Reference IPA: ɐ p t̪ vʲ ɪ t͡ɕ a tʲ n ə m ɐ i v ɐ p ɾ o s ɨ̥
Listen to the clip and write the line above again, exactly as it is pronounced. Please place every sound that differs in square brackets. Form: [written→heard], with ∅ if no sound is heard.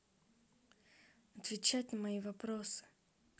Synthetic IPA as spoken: ɐ [p→∅] t̪ vʲ ɪ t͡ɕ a tʲ n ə m ɐ i v ɐ p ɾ o s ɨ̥